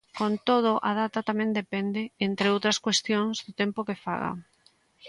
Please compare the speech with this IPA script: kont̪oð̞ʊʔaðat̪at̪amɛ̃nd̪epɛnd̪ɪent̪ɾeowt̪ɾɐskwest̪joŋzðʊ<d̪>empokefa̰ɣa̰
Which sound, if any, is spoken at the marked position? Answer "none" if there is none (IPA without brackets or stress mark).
t̪